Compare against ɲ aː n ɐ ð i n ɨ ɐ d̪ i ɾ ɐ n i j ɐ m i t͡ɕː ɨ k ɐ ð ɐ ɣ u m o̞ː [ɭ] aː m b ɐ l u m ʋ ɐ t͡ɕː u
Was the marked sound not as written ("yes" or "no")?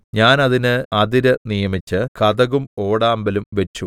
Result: yes